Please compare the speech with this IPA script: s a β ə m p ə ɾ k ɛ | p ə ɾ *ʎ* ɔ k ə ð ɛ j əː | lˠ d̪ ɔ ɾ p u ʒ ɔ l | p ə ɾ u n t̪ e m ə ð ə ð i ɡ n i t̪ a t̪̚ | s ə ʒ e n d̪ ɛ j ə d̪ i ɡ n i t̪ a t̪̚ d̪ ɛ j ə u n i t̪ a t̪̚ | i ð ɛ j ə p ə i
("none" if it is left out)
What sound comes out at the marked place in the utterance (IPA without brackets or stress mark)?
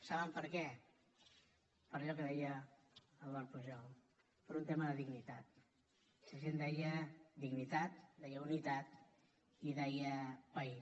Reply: ʎ